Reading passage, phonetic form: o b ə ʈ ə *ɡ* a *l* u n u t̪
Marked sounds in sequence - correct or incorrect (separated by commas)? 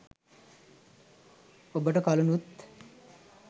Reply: incorrect, correct